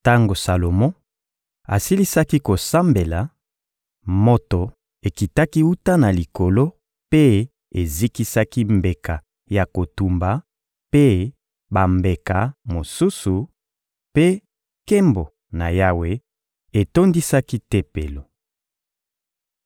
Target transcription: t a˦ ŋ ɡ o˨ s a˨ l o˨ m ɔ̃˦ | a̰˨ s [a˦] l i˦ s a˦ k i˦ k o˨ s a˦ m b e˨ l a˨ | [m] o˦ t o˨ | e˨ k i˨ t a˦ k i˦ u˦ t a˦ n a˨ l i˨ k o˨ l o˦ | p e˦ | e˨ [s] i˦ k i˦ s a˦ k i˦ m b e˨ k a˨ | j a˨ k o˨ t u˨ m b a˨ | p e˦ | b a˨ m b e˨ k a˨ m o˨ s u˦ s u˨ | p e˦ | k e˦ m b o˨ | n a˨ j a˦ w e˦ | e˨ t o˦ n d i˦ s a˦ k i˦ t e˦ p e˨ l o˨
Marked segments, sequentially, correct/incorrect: incorrect: i˦, correct, incorrect: z

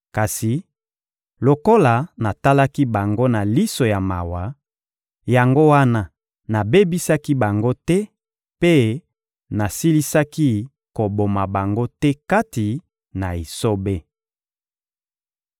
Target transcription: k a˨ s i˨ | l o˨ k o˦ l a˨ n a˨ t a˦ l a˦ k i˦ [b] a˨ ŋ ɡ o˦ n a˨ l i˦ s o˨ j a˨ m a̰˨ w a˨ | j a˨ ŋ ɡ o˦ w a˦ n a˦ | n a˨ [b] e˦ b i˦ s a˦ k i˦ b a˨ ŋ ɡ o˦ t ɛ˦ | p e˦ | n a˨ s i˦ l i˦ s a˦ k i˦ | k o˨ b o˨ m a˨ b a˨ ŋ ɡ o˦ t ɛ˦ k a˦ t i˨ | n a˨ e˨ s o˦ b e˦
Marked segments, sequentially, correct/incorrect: correct, correct

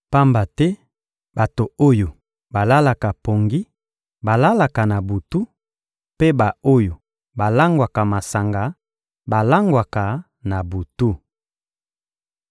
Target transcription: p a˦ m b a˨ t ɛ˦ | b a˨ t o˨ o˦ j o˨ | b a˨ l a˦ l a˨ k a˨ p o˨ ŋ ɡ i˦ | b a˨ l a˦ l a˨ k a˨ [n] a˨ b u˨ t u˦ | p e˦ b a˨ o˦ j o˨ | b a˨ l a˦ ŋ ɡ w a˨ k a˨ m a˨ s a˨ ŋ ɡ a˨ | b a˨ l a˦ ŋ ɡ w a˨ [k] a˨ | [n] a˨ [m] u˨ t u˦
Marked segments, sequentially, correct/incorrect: correct, correct, correct, incorrect: b

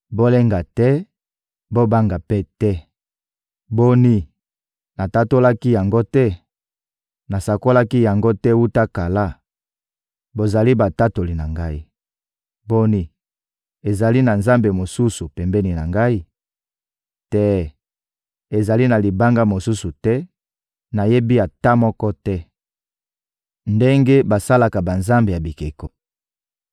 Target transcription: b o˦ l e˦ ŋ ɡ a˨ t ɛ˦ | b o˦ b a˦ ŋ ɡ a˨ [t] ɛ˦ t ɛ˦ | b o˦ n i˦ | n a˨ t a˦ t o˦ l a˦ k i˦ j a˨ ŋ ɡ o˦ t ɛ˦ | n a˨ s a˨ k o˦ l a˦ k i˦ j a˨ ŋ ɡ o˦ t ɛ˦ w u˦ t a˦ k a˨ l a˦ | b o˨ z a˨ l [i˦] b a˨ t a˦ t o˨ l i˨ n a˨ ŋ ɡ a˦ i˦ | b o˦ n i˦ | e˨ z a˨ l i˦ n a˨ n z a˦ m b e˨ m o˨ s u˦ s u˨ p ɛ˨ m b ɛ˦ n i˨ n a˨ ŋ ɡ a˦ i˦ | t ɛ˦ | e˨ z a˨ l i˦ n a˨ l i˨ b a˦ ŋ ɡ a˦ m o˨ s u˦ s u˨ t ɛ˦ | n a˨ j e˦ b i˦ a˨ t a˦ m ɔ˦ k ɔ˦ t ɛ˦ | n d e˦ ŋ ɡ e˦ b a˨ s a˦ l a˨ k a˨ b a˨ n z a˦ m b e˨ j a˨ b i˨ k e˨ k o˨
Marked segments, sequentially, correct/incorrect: incorrect: p, correct

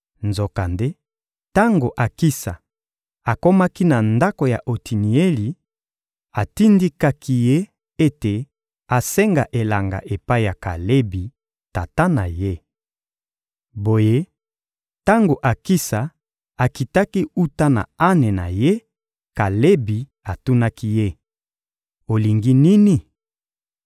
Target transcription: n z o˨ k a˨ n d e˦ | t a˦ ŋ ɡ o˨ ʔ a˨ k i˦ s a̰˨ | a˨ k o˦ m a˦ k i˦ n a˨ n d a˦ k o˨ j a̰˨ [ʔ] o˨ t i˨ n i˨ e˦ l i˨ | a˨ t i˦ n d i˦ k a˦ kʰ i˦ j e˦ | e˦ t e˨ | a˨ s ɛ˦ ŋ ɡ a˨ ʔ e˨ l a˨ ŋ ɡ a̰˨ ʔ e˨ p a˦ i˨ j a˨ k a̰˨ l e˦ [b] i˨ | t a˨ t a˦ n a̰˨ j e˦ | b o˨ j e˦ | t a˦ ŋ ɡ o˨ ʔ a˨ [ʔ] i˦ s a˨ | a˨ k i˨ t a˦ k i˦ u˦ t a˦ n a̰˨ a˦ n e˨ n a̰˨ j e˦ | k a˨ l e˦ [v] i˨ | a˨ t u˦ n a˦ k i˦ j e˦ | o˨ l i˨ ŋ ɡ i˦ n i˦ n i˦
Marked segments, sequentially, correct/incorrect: correct, correct, incorrect: k, incorrect: b

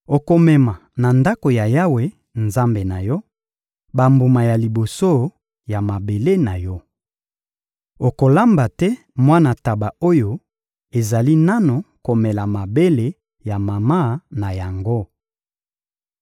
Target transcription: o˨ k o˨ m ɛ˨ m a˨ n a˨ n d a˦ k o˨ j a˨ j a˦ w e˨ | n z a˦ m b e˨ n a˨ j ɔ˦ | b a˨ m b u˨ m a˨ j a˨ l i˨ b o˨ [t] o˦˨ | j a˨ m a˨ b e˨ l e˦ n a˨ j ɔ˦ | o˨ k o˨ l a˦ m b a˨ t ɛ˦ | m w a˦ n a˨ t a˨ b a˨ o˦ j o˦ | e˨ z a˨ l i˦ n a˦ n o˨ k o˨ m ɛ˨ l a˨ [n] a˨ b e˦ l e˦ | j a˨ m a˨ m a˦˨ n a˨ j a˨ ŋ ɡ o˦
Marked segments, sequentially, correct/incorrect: incorrect: s, incorrect: m

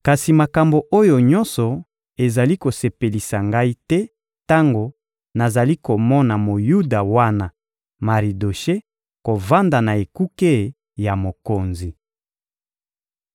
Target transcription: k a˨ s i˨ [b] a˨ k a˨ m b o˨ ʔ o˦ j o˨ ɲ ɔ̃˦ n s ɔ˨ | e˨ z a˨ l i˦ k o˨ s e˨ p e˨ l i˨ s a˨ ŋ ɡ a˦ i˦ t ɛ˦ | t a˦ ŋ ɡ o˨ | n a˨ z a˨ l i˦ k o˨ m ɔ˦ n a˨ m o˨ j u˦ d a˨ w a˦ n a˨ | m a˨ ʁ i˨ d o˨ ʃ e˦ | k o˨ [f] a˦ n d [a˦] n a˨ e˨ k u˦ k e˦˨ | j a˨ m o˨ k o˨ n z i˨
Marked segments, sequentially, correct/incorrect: incorrect: m, incorrect: v, incorrect: a˨

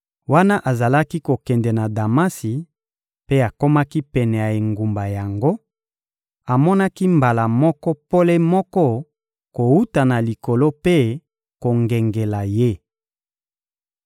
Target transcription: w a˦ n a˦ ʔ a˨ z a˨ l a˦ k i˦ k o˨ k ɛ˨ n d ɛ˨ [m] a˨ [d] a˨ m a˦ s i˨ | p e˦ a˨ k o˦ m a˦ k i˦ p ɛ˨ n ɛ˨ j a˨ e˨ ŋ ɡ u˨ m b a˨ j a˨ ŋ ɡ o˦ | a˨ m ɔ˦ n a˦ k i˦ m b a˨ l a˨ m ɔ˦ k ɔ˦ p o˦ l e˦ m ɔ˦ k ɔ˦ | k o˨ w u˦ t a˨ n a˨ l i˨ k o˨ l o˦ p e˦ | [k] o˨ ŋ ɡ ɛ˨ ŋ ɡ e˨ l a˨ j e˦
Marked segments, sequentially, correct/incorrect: incorrect: n, correct, correct

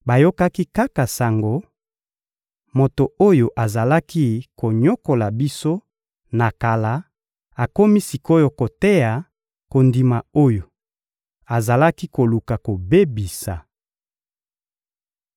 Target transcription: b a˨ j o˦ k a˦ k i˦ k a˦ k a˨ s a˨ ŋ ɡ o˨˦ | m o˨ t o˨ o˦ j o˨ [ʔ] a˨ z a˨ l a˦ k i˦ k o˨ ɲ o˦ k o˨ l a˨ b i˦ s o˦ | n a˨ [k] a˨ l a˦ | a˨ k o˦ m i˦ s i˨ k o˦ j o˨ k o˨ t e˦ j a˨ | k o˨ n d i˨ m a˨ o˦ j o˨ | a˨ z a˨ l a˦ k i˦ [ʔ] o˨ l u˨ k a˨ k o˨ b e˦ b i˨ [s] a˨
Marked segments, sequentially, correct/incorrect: correct, correct, incorrect: k, correct

